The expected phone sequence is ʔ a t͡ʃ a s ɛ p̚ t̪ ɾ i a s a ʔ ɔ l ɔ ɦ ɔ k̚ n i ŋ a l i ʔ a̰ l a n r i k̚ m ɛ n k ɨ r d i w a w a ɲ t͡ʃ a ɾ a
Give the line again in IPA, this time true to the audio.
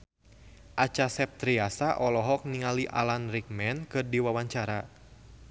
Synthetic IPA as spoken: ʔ a t͡ʃ a s ɛ p̚ t̪ ɾ i a s a ʔ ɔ l ɔ ɦ ɔ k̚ n i ŋ a l i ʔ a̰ l a n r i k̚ m ɛ n k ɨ r d i w a w a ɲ t͡ʃ a ɾ a